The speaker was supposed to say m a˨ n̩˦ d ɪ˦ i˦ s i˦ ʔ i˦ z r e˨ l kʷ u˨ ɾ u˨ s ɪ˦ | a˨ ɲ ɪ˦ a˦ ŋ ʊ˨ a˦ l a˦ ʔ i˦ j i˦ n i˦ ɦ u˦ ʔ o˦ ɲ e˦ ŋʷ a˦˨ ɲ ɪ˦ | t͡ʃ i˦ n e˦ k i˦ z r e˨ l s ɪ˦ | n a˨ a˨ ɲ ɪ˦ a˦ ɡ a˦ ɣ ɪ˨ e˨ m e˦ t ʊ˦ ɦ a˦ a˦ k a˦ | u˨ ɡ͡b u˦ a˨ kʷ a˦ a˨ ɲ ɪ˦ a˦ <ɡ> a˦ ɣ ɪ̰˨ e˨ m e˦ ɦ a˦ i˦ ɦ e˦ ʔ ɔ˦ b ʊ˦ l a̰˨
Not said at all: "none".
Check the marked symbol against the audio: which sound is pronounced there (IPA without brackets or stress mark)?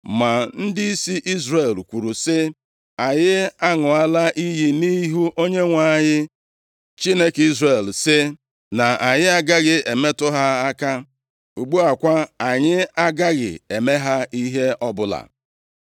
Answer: ɡ